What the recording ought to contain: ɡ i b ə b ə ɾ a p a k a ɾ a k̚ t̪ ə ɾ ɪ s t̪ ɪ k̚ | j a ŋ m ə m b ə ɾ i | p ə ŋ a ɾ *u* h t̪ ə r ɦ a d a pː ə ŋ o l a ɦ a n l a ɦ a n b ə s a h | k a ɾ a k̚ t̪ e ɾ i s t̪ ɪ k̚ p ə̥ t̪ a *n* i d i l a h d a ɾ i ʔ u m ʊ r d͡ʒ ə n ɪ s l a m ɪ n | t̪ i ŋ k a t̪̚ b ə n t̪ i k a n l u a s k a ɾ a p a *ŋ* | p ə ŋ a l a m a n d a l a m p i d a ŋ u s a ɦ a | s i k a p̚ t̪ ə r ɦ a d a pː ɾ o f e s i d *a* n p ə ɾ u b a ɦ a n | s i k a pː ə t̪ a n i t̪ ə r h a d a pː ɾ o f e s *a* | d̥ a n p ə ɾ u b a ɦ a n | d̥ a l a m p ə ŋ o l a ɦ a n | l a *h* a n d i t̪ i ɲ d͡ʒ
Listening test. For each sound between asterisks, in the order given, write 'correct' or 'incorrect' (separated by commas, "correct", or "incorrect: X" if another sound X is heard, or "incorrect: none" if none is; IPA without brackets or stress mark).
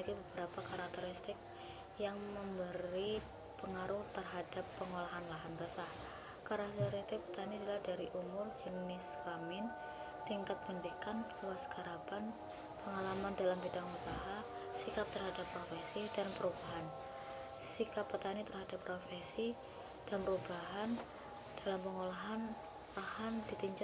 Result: incorrect: ʊ, correct, incorrect: n, correct, incorrect: i, correct